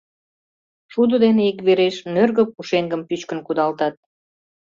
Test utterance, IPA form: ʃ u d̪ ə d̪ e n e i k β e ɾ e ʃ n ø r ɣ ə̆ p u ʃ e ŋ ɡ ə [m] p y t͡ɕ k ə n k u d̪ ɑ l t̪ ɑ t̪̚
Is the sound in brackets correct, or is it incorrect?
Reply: correct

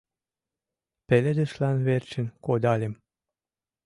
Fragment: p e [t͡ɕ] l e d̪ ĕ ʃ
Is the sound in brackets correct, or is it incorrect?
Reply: incorrect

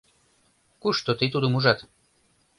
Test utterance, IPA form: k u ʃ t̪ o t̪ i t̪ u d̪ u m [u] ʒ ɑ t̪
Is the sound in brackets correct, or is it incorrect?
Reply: correct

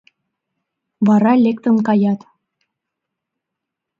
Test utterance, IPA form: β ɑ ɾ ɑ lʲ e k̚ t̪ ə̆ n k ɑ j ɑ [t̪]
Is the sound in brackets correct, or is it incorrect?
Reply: correct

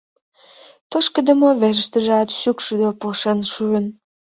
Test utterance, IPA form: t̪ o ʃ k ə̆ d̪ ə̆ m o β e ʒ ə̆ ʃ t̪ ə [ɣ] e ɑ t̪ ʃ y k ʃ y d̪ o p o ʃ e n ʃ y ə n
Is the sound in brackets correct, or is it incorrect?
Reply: incorrect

